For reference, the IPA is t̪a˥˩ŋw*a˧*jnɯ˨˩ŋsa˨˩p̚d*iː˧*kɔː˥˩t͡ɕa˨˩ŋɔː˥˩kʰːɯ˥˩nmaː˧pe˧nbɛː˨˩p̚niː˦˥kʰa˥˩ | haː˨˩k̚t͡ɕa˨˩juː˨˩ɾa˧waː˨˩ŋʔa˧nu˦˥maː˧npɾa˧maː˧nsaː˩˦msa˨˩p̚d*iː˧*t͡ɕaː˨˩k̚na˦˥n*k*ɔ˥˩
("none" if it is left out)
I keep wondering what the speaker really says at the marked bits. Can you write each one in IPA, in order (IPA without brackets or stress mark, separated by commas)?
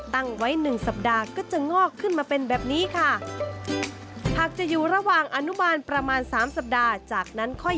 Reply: a˦˥, aː˧, aː˧, kʰ